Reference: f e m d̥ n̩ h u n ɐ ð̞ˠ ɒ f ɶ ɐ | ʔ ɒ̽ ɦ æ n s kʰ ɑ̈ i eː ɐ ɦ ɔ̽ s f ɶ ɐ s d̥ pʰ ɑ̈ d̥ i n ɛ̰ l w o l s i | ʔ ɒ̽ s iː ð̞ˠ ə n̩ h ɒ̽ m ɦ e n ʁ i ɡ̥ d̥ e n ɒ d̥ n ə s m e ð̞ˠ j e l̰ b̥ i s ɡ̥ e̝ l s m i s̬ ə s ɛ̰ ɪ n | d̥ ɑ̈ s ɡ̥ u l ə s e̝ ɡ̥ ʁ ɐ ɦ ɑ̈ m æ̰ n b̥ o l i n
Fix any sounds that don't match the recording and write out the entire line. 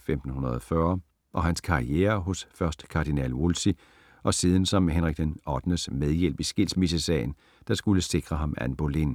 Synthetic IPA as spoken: f e m d̥ n̩ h u n ɐ ð̞ˠ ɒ f ɶ ɐ | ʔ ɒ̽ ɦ æ n s kʰ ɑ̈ i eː ɐ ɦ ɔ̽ s f ɶ ɐ s d̥ kʰ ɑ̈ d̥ i n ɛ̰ l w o l s i | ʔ ɒ̽ s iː ð̞ˠ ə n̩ s ɒ̽ m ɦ e n ʁ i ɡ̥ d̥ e n ɒ d̥ n ə s m e ð̞ˠ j e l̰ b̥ i s ɡ̥ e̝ l s m i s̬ ə s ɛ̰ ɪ n | d̥ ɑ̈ s ɡ̥ u l ə s e̝ ɡ̥ ʁ ɐ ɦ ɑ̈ m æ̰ n b̥ o l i n